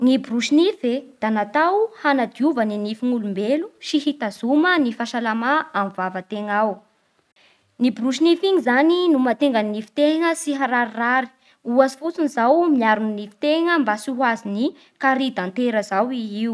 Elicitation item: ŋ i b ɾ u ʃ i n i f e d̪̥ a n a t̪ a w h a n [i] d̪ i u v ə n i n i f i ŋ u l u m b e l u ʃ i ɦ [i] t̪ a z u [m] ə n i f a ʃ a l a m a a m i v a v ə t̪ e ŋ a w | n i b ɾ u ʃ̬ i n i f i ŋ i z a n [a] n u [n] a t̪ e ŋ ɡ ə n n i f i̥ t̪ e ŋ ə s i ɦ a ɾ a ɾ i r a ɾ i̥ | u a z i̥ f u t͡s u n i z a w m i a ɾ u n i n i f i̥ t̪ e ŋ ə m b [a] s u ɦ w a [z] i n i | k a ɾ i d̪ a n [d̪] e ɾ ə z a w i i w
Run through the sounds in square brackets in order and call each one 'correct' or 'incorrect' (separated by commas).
incorrect, correct, correct, incorrect, incorrect, correct, correct, incorrect